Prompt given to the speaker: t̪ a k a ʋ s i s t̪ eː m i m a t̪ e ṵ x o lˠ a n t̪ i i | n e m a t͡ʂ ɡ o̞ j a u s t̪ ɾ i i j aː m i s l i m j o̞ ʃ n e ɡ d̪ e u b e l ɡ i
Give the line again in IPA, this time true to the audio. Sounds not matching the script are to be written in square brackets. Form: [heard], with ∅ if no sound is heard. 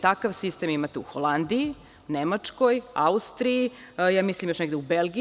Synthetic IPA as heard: t̪ a k a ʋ s i s t̪ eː m i m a t̪ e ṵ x o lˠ a n [d̪] i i | n e m a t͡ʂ [k] o̞ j a u s t̪ ɾ i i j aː m i s l i m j o̞ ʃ n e ɡ d̪ e u b e l ɡ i